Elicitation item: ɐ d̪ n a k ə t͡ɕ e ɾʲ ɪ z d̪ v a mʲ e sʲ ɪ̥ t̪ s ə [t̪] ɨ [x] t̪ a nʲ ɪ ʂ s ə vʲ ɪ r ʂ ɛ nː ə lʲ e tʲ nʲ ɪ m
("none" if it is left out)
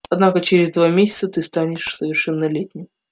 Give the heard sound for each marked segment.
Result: t̪, s

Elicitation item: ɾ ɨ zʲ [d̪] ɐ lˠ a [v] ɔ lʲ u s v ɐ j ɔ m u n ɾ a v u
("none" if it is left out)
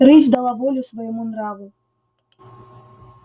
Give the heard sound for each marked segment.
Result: d̪, v

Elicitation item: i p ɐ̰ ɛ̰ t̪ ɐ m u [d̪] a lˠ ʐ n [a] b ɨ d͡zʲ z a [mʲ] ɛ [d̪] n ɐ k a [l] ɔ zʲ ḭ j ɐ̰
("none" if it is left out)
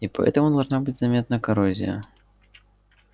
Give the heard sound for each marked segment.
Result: d̪, a, mʲ, t̪, ɾ

